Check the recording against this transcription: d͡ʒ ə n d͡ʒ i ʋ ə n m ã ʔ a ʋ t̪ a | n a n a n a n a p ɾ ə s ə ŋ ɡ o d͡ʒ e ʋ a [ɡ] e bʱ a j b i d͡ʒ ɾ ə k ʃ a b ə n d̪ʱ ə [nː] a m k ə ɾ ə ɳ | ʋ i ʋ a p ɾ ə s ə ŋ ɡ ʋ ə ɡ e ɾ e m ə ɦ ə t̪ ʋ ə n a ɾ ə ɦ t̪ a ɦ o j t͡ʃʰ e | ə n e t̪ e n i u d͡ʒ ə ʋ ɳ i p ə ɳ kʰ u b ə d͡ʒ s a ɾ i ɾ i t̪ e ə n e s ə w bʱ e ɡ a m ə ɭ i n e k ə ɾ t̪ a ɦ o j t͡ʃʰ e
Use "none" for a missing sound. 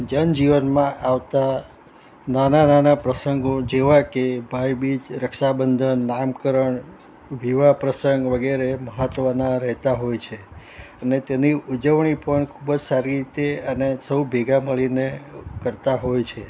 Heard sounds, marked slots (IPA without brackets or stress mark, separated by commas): k, nː